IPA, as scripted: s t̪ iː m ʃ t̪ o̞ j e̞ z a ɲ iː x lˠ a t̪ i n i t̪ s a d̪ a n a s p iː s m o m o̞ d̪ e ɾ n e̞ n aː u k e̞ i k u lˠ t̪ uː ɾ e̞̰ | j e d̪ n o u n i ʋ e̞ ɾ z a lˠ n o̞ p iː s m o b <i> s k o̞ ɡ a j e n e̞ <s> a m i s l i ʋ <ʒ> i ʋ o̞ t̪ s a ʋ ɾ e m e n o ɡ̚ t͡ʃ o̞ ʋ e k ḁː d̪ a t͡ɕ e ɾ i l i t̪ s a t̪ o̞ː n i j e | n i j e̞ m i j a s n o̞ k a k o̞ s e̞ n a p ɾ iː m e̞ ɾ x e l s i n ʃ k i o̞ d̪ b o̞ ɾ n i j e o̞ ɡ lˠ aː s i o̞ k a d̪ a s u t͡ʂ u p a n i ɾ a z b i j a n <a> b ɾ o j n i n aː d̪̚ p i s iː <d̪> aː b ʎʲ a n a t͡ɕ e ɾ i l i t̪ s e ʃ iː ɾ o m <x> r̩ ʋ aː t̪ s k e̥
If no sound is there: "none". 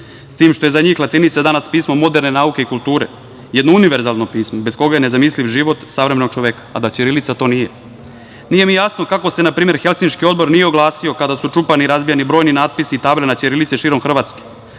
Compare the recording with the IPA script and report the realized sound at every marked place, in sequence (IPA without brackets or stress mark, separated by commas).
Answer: e, z, ʒ, i, t̪, x